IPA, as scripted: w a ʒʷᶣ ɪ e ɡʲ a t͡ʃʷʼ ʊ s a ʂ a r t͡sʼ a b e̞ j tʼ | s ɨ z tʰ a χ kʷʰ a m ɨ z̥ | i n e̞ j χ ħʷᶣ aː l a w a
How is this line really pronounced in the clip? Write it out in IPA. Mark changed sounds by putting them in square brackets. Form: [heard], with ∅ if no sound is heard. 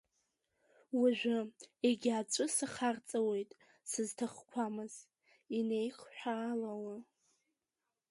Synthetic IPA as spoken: w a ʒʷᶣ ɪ e ɡʲ a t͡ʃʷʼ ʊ s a [χ] a r t͡sʼ a [w] e̞ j tʼ | s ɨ z tʰ a χ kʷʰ a m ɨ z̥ | i n e̞ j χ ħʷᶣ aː l a w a